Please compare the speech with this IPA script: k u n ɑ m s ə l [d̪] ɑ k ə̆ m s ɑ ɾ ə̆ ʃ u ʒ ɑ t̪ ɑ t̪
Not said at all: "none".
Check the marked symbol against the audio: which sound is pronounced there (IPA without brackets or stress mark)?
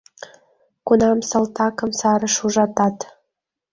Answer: t̪